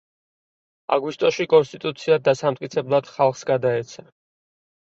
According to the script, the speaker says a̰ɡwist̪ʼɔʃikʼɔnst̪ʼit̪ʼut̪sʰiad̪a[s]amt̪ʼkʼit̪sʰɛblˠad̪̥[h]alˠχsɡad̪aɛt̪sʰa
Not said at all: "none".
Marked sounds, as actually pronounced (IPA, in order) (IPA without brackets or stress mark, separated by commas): s, χ